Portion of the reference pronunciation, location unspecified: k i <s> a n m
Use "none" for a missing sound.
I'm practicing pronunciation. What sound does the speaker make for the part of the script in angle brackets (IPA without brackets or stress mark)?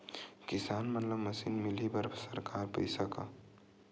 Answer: s